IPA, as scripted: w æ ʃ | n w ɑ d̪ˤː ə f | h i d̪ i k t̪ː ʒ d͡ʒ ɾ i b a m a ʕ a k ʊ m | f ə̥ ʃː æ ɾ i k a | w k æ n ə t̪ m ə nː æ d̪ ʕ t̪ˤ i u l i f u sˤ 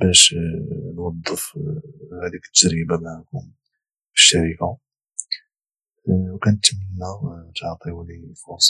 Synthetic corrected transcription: b æ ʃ | n w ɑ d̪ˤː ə f | h æ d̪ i k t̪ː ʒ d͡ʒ ɾ i b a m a ʕ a k ʊ m | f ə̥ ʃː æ ɾ i k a | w k æ n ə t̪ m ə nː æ t̪ ʕ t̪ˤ i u l i f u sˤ